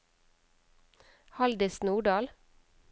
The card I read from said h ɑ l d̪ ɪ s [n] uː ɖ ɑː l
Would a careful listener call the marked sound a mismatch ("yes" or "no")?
no